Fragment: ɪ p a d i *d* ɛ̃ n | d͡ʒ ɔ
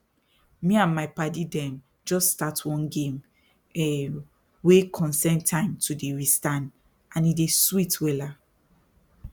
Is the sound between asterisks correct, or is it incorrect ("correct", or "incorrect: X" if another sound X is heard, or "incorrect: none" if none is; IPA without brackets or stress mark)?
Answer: correct